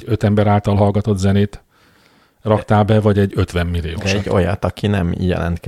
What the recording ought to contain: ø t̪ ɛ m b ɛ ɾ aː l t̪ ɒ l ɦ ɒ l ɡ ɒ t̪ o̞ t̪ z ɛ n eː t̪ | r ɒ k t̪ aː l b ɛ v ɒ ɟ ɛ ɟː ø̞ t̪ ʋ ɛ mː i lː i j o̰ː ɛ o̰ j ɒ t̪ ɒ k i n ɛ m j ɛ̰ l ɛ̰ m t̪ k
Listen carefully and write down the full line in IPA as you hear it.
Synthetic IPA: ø t̪ ɛ m b ɛ ɾ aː l t̪ ɒ l ɦ ɒ l ɡ ɒ t̪ o̞ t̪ z ɛ n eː t̪ | r ɒ k t̪ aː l b ɛ v ɒ ɟ ɛ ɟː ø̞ t̪ ʋ ɛ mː i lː i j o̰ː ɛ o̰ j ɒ t̪ ɒ k i n ɛ m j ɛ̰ l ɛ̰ n t̪ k